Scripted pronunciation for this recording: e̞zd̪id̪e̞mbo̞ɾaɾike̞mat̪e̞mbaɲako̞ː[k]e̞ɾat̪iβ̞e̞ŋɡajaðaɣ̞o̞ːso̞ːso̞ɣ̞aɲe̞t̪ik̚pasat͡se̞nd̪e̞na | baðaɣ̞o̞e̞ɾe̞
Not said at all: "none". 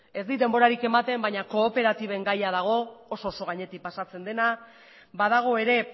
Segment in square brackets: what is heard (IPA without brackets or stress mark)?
p